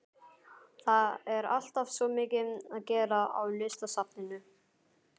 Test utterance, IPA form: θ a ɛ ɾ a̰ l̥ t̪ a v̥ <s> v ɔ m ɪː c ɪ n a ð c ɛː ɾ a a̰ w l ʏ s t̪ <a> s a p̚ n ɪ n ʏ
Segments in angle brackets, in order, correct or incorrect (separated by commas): correct, correct